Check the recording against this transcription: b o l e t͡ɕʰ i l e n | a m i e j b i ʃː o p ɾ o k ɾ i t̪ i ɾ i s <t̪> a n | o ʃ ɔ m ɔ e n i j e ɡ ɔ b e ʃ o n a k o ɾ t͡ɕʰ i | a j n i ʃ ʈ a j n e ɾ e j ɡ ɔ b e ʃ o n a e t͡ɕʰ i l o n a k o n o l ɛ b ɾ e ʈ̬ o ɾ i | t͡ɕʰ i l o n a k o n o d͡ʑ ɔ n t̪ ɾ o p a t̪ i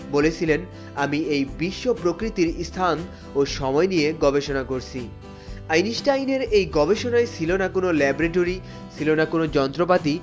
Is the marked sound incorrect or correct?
incorrect